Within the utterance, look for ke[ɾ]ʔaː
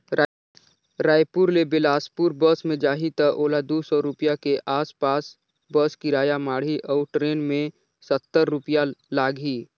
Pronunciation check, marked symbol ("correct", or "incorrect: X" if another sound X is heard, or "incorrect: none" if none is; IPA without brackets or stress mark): incorrect: none